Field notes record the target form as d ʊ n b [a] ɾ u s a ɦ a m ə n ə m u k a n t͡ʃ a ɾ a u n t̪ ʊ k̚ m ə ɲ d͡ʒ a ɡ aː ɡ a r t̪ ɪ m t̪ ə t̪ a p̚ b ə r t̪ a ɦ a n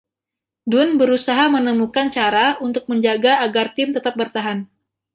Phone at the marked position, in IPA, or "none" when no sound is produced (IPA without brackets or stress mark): ə